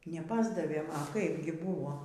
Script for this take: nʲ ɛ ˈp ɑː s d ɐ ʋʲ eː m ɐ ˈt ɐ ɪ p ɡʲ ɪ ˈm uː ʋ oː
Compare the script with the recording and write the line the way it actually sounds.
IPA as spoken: nʲ ɛ ˈp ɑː z d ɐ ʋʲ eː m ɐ ˈk ɐ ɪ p ɡʲ ɪ ˈb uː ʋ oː